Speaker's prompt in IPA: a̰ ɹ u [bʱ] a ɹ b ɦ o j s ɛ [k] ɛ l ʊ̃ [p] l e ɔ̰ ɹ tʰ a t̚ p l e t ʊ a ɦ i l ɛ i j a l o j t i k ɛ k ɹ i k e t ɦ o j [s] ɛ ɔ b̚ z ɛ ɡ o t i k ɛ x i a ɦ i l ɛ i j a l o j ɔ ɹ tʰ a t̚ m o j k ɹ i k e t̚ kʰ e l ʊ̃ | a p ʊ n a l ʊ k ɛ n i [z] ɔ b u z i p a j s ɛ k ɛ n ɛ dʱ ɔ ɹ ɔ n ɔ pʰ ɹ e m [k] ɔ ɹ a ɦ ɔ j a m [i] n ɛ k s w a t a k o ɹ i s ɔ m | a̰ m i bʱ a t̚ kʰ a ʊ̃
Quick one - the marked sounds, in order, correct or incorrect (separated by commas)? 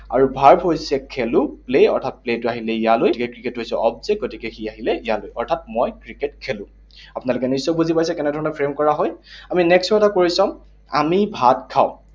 correct, incorrect, correct, correct, incorrect, correct, correct